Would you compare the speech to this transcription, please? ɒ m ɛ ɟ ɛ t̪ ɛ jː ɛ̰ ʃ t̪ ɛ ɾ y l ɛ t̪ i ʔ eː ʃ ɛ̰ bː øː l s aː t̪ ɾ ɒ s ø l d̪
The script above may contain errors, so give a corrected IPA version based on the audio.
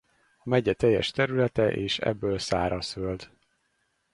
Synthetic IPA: ɒ m ɛ ɟ ɛ t̪ ɛ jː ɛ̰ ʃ t̪ ɛ ɾ y l ɛ t̪ ɛ ʔ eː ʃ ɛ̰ bː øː l s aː ɾ ɒ s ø l d̪

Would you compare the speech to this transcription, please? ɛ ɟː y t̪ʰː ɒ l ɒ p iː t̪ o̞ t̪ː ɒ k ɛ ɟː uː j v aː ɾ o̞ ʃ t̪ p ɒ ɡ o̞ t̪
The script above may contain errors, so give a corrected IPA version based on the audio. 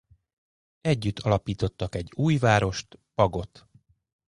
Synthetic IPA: ɛ ɟː y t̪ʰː ɒ l ɒ p iː t̪ o̞ t̪ː ɒ k ɛ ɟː uː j v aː ɾ o̞ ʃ t̪ p ɒ ɡ o̞ t̪

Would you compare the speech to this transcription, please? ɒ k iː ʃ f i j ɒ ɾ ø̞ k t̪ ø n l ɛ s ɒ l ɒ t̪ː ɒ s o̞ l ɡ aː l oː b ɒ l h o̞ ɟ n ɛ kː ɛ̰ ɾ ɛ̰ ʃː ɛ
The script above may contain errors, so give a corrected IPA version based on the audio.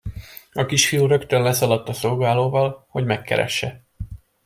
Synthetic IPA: ɒ k i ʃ f i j u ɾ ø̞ k t̪ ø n l ɛ s ɒ l ɒ t̪ː ɒ s o̞ l ɡ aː l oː v ɒ l h o̞ ɟ m ɛ kː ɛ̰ ɾ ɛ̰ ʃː ɛ

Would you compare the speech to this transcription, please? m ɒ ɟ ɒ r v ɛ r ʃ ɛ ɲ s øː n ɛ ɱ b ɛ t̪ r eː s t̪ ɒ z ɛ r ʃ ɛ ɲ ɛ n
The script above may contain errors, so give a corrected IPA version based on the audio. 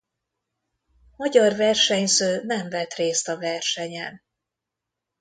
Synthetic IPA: m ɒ ɟ ɒ r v ɛ r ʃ ɛ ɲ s øː n ɛ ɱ v ɛ t̪ r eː s t̪ ɒ v ɛ r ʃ ɛ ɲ ɛ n

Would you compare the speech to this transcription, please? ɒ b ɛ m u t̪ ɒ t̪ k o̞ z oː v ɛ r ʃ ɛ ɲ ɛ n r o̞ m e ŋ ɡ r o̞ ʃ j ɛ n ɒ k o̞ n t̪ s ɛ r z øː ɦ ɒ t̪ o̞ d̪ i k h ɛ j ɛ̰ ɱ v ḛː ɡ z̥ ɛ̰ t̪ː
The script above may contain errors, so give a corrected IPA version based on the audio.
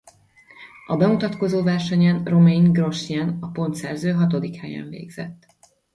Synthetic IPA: ɒ b ɛ m u t̪ ɒ t̪ k o̞ z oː v ɛ r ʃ ɛ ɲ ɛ n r o̞ m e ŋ ɡ r o̞ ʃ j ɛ n ɒ p o̞ n t̪ s ɛ r z øː ɦ ɒ t̪ o̞ d̪ i k h ɛ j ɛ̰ ɱ v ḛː ɡ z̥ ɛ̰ t̪ː

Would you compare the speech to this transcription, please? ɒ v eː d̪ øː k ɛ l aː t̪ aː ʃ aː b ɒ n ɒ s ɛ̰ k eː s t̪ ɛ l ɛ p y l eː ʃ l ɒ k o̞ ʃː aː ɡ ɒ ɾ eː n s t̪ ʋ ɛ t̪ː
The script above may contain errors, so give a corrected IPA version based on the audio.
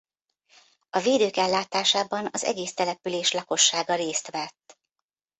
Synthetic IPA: ɒ v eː d̪ øː k ɛ lː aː t̪ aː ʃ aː b ɒ n ɒ z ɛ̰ ɡ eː s t̪ ɛ l ɛ p y l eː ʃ l ɒ k o̞ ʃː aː ɡ ɒ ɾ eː s t̪ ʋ ɛ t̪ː

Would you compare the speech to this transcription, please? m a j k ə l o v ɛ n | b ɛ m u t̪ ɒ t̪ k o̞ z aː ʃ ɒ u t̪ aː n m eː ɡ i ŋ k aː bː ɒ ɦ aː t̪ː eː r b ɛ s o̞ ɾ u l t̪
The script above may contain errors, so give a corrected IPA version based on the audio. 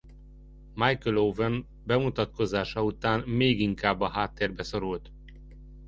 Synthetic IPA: m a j k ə l o v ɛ n | b ɛ m u t̪ ɒ t̪ k o̞ z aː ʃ ɒ u t̪ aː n m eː ɡ i ŋ k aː bː ɒ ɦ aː t̪ː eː r b ɛ s o̞ ɾ u l t̪

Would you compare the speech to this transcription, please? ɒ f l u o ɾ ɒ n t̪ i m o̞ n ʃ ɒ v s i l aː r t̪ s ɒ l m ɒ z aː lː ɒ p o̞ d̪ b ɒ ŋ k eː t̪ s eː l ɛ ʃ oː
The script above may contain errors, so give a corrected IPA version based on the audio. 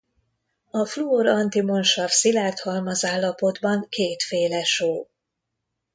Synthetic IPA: ɒ f l u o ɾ ɒ n t̪ i m o̞ n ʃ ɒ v s i l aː r t̪ h ɒ l m ɒ z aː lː ɒ p o̞ d̪ b ɒ ŋ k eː t̪ f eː l ɛ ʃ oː

